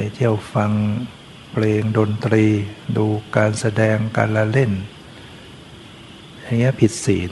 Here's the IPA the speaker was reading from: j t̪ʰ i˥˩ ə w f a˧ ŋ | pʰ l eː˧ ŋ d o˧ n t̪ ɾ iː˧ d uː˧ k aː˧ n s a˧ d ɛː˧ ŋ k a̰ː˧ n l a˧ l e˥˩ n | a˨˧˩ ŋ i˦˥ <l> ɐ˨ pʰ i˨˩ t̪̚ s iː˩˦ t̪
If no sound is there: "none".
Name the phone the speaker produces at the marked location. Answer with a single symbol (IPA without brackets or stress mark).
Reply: none